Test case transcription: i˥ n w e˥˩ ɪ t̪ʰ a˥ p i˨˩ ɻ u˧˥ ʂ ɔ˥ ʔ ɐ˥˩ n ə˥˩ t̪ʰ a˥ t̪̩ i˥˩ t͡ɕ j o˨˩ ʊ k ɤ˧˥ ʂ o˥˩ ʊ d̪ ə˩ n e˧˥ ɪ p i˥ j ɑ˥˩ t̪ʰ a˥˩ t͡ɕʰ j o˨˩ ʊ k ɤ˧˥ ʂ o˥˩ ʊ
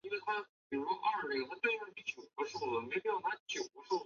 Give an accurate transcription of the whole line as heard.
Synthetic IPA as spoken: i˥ n w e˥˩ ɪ t̪ʰ a˥ p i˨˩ ɻ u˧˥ ʂ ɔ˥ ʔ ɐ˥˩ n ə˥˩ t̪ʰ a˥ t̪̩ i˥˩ t͡ɕ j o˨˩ ʊ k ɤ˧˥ ʂ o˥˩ ʊ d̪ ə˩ m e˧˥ ɪ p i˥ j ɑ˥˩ t̪ʰ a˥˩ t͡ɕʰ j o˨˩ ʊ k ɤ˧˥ ʂ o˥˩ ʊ